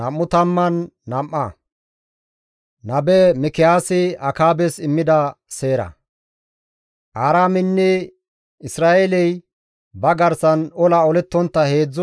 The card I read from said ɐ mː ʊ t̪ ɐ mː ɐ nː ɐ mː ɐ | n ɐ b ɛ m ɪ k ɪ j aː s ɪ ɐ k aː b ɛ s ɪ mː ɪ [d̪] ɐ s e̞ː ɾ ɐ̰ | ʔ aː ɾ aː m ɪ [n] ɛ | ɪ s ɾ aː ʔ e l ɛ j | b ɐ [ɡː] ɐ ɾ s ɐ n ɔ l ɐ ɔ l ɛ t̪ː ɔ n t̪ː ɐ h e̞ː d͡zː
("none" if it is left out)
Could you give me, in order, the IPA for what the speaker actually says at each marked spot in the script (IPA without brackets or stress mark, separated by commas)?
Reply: d̪, nː, ɡ